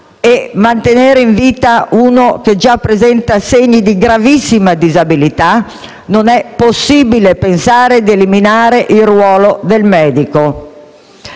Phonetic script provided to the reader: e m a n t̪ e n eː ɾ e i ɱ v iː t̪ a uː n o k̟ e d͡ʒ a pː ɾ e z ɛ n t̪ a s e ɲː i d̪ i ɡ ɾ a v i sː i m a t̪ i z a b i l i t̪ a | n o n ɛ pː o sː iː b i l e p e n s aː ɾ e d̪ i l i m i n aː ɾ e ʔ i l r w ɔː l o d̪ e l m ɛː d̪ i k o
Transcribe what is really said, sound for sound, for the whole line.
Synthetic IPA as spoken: e m a n t̪ e n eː ɾ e i ɱ v iː t̪ a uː n o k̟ e d͡ʒ a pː ɾ e z ɛ n t̪ a s e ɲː i d̪ i ɡ ɾ a v i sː i m a d̪ i z a b i l i t̪ a | n o n ɛ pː o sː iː b i l e p e n s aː ɾ e d̪ e l i m i n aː ɾ e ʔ i l r w ɔː l o d̪ e l m ɛː d̪ i k o